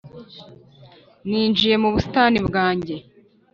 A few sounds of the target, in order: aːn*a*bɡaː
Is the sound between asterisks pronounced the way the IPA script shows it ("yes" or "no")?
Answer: no